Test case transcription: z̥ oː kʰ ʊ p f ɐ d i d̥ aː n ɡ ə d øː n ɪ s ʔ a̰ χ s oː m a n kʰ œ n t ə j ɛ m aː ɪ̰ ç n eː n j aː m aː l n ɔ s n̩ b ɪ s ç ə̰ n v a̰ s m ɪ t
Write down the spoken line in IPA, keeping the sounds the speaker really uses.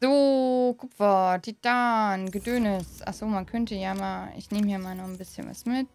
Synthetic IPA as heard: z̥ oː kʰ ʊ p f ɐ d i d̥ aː n ɡ ə d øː n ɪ s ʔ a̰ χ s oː m a n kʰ œ n t ə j a m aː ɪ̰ ç n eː m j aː m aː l n ɔ χ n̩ b ɪ s ç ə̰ n v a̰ s m ɪ t